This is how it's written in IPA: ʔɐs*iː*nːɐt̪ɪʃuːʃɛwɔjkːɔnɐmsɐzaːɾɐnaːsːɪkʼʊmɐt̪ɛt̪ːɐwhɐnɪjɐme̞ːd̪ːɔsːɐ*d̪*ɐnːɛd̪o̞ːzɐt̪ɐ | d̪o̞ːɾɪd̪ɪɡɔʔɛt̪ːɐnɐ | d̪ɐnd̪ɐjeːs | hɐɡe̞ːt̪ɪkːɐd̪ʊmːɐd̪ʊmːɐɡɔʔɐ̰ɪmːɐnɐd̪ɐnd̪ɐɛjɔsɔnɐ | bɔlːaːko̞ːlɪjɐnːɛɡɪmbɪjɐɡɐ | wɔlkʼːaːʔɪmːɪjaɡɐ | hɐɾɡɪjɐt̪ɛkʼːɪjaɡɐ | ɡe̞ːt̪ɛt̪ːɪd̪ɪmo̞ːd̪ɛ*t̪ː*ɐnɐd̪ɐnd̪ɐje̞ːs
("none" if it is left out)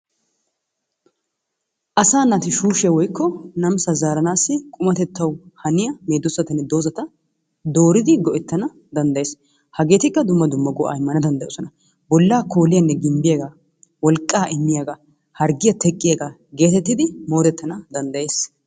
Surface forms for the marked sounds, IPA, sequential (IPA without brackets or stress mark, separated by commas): aː, t̪, t̪ː